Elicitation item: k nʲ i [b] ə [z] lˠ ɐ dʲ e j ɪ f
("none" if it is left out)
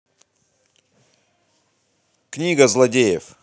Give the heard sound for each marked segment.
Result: ɡ, z

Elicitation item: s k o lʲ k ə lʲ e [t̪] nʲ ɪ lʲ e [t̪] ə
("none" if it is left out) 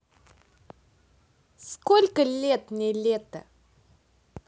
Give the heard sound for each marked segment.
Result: t̪, t̪

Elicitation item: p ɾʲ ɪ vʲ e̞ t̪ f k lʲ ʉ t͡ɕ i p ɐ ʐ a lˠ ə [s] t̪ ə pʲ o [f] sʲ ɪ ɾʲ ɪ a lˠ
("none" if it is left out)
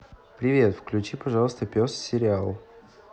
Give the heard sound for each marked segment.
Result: s, s

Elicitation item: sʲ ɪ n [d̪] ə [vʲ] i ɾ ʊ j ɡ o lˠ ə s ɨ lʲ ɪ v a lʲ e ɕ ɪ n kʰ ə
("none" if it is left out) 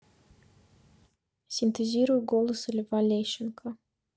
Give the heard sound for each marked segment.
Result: t̪, zʲ

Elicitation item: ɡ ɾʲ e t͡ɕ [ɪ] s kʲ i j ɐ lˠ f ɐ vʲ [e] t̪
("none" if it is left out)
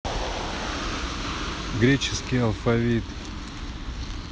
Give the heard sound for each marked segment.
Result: ɪ, i

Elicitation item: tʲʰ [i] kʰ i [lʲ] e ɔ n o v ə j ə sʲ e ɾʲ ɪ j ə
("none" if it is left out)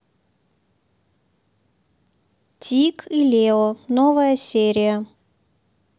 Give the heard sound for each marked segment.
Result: i, lʲ

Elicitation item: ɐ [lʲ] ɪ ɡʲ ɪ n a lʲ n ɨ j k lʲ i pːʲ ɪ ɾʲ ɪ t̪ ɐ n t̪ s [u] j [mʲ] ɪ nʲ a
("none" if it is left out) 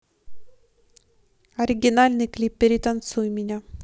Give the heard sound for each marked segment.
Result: ɾʲ, u, mʲ

